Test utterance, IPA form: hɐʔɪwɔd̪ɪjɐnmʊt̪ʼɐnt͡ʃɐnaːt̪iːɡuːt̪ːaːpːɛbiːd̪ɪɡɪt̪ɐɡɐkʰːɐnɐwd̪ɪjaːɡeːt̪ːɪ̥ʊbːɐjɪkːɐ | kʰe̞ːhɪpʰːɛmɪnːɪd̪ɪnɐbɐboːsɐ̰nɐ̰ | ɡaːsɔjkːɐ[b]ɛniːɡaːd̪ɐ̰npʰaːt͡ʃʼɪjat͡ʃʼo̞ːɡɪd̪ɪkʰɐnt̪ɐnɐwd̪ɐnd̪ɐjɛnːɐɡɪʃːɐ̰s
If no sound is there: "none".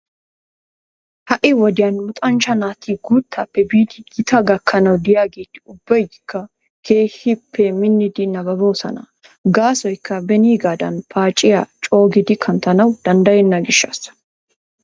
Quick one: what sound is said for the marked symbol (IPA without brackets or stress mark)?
b